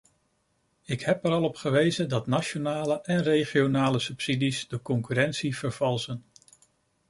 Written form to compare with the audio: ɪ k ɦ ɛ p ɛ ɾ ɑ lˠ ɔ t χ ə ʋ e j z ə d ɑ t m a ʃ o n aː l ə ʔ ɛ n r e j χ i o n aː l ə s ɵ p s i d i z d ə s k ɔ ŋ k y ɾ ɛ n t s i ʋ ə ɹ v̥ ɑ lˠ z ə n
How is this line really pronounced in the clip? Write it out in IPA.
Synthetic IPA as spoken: ɪ k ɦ ɛ p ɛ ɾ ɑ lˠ ɔ p χ ə ʋ e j z ə d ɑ t n a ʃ o n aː l ə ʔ ɛ n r e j χ i o n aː l ə s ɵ p s i d i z d ə k ɔ ŋ k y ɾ ɛ n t s i v ə ɹ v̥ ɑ lˠ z ə n